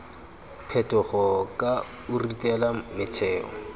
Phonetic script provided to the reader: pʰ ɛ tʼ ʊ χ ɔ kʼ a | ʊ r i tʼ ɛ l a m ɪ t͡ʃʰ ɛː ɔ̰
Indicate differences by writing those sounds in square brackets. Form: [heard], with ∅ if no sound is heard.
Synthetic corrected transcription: pʰ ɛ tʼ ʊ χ ɔ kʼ a | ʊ r i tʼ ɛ l a m ɪ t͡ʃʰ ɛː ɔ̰